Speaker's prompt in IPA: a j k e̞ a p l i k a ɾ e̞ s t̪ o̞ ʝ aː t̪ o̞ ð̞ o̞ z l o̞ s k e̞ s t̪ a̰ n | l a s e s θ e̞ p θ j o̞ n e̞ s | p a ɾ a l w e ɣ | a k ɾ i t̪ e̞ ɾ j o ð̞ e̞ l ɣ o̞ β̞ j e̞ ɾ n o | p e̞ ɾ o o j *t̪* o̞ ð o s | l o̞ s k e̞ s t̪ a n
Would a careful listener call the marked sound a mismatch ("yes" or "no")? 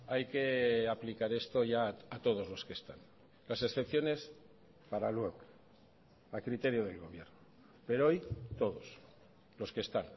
no